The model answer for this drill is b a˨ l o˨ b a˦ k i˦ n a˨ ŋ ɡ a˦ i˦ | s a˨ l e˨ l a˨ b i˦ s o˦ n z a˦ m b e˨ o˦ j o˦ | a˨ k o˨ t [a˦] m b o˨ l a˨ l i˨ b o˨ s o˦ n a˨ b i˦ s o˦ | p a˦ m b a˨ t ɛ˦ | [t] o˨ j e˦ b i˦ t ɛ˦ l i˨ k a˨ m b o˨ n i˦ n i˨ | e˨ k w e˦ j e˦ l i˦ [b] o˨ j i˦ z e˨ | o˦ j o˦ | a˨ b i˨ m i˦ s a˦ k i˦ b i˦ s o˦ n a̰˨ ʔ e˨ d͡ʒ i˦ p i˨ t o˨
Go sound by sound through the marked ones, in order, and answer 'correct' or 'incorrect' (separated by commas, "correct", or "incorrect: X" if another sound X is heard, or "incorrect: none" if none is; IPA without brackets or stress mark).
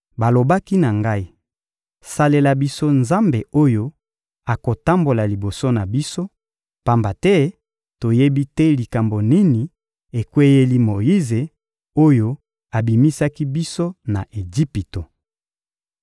correct, correct, incorrect: m